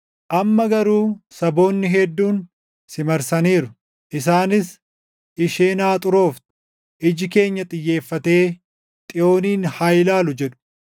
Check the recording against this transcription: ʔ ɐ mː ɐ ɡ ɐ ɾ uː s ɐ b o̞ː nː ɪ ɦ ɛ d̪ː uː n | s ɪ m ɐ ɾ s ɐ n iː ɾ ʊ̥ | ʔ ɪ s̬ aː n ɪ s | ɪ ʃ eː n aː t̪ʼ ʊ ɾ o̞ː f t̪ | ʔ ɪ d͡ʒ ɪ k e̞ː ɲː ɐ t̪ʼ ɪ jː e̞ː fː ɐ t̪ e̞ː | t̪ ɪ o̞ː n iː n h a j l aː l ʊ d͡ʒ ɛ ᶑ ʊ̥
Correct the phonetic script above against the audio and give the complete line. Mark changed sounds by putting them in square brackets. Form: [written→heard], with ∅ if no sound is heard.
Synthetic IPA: ʔ ɐ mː ɐ ɡ ɐ ɾ uː s ɐ b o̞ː nː ɪ ɦ ɛ d̪ː uː n | s ɪ m ɐ ɾ s ɐ n iː ɾ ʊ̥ | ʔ ɪ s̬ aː n ɪ s | ɪ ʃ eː n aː t̪ʼ ʊ ɾ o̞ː f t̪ | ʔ ɪ d͡ʒ ɪ k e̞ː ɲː ɐ t̪ʼ ɪ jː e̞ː fː ɐ t̪ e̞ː | [t̪→t̪ʼ] ɪ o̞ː n iː n h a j l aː l ʊ d͡ʒ ɛ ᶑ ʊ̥